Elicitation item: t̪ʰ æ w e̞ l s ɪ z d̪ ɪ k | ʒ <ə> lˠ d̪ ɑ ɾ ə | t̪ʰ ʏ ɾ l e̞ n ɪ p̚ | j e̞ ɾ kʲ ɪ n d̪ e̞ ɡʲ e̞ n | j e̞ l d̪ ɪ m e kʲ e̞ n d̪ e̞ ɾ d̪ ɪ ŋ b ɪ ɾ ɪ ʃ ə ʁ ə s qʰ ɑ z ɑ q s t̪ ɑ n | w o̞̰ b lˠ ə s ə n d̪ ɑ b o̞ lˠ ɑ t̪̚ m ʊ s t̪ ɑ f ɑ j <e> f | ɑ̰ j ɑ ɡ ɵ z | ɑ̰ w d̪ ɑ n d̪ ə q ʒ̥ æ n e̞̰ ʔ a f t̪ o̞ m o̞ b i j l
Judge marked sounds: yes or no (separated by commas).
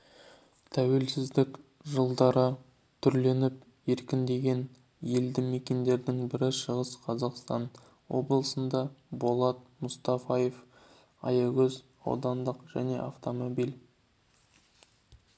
yes, yes